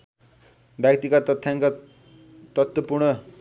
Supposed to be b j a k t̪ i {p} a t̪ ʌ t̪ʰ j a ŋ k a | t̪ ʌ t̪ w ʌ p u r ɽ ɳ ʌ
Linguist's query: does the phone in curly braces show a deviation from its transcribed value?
yes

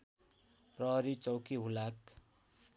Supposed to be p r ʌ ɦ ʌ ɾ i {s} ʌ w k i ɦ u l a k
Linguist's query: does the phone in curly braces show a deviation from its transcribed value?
yes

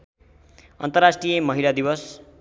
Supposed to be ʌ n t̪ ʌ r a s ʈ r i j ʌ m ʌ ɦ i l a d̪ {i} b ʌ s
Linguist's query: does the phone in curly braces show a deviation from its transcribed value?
no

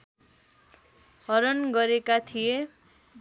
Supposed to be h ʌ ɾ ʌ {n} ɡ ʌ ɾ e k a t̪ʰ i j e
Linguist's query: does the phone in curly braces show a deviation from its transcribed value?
no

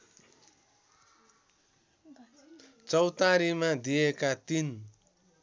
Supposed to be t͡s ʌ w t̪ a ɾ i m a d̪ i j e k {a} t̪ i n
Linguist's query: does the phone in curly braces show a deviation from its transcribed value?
no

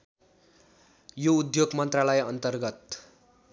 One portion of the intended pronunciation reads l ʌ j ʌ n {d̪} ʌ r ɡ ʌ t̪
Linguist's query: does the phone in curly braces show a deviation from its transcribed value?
yes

